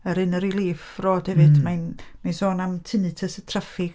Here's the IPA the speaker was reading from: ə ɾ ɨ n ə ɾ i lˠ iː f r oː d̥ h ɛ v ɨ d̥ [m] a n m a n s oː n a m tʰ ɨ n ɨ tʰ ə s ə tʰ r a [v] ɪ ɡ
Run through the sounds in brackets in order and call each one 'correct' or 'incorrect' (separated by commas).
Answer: correct, incorrect